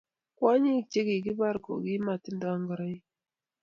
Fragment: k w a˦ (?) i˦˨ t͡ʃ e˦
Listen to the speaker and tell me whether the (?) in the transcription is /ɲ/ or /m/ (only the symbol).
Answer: ɲ